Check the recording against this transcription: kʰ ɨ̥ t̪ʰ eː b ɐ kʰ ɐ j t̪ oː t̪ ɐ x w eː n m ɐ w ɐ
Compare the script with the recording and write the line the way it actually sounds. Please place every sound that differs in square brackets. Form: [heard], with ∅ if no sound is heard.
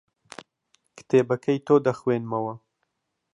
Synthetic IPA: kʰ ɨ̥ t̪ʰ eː b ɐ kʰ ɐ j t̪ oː [d̪] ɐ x w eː n m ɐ w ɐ